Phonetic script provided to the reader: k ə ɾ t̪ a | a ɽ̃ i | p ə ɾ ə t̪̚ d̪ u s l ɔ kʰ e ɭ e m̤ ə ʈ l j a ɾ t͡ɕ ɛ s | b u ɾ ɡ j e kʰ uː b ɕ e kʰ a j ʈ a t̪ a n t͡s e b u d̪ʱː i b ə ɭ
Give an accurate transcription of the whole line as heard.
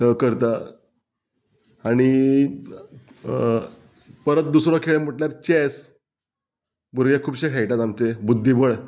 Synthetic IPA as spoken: k ə ɾ t̪ a | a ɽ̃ i | p ə ɾ ə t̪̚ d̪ u s ɾ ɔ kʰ e ɭ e m̤ ə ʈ l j a ɾ t͡ɕ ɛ s | b u ɾ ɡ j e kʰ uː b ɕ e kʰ a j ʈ a t̪ a m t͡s e b u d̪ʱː i b ə ɭ

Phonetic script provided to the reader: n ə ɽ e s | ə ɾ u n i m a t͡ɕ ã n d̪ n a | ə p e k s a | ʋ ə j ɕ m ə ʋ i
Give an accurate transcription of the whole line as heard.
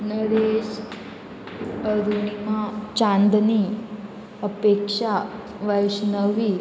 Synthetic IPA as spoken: n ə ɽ e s | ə ɾ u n i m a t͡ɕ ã n d̪ n i | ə p e k ʂ a | ʋ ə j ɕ n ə ʋ i

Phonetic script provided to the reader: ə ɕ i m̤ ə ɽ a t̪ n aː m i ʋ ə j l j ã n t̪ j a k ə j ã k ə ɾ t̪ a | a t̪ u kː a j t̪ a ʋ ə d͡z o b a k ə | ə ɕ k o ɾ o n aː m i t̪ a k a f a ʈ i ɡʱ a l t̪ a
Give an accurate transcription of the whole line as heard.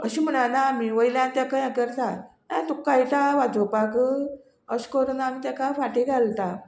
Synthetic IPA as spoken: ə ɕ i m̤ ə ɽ a n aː m i ʋ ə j l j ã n t̪ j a k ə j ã k ə ɾ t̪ a | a t̪ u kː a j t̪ a ʋ a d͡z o p a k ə | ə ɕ k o ɾ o n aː m i t̪ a k a f a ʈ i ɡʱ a l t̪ a

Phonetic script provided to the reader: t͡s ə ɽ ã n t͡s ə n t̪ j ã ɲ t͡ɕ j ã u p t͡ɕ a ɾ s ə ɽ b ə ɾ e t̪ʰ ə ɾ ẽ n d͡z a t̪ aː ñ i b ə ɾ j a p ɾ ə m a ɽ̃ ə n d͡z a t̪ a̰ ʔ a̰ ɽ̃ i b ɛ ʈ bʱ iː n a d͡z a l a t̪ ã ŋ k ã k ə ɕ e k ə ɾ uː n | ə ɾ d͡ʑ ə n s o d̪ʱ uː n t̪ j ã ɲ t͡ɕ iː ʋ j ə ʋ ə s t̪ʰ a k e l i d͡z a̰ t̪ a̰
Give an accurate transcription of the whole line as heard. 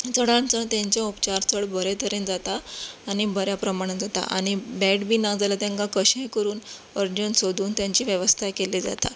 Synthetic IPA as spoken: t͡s ə ɽ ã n t͡s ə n t̪ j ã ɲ t͡ɕ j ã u p t͡ɕ a ɾ t͡s ə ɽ b ə ɾ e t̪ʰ ə ɾ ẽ n d͡z a t̪ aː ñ i b ə ɾ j a p ɾ ə m a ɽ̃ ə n d͡z a t̪ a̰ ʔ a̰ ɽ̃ i b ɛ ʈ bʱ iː n a d͡z a l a t̪ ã ŋ k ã k ə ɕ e k ə ɾ uː n | ə ɾ d͡ʑ ə n s o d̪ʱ uː n t̪ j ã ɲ t͡ɕ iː ʋ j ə ʋ ə s t̪ʰ a k e l i d͡z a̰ t̪ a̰

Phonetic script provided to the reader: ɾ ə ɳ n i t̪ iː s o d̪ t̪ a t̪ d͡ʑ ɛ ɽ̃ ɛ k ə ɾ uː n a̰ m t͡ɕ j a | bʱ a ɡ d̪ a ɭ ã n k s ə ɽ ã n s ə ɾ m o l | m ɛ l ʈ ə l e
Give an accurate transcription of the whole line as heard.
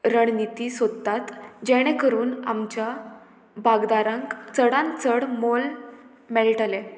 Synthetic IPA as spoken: ɾ ə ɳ n i t̪ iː s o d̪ t̪ a t̪ d͡ʑ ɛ ɽ̃ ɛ k ə ɾ uː n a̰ m t͡ɕ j a | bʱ a ɡ d̪ a ɾ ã ŋ k t͡s ə ɽ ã n t͡s ə ɽ m o l | m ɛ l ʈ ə l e

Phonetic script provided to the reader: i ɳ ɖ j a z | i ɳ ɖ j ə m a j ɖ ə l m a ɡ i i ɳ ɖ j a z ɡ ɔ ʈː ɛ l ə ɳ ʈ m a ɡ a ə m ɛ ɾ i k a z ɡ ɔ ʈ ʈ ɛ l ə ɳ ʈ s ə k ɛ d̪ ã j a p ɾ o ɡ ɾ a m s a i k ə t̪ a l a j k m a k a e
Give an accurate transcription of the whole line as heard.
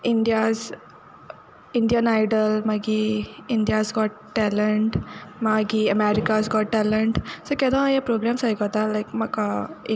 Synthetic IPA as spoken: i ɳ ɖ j a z | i ɳ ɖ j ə n a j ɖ ə l m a ɡ i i ɳ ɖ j a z ɡ ɔ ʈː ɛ l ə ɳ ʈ m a ɡ i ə m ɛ ɾ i k a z ɡ ɔ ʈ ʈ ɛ l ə ɳ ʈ s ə k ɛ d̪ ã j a p ɾ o ɡ ɾ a m s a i k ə t̪ a l a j k m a k a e

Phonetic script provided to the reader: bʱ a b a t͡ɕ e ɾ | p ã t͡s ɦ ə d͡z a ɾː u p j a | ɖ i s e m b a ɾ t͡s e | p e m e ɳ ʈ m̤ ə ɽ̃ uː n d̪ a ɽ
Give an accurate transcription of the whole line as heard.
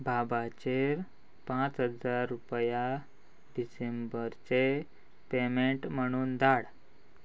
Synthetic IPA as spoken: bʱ a b a t͡ɕ e ɾ | p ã t͡s ɦ ə d͡z a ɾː u p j a | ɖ i s e m b ə ɾ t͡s e | p e m e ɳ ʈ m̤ ə ɽ̃ uː n d̪ a ɽ

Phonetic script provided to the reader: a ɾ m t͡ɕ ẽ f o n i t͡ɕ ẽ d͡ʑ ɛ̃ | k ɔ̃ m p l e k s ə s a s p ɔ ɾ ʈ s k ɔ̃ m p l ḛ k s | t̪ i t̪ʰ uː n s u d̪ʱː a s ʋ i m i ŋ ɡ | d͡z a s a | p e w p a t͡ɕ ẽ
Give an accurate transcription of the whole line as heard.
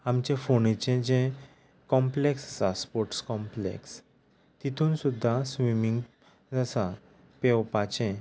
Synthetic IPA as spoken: a m t͡ɕ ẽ f o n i t͡ɕ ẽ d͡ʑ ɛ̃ | k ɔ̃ m p l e k s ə s a s p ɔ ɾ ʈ s k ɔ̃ m p l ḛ k s | t̪ i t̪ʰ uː n s u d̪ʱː a s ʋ i m i ŋ ɡ | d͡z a s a | p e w p a t͡ɕ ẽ

